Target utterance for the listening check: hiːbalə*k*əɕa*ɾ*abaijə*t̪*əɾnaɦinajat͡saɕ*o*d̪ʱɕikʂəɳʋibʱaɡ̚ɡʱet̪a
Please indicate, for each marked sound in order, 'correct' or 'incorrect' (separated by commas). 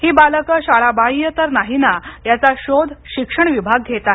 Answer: correct, incorrect, correct, correct